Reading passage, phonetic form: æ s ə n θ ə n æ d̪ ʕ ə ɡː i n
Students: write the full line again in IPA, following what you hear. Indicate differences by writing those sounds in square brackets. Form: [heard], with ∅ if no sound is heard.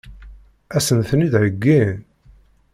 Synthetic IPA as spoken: æ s ə n θ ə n [i] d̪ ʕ ə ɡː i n